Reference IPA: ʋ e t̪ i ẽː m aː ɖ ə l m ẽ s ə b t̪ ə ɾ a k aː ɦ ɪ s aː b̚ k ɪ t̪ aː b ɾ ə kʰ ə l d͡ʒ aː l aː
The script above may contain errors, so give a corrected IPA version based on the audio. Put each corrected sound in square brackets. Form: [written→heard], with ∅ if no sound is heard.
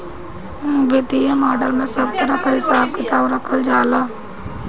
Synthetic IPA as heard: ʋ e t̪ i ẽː m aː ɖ ə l m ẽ s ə b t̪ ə ɾ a k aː ɦ ɪ s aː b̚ k ɪ t̪ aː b ɾ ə kʰ ə l d͡ʒ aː l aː